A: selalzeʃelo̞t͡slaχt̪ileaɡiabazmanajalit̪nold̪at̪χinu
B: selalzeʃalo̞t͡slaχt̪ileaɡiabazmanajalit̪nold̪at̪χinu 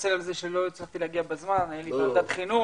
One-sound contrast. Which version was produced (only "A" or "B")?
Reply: A